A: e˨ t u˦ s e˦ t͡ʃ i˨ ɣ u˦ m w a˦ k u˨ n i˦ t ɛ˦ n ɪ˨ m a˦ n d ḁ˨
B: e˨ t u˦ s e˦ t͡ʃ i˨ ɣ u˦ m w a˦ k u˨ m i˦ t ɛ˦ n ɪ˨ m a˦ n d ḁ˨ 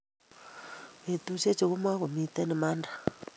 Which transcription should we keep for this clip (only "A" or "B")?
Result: B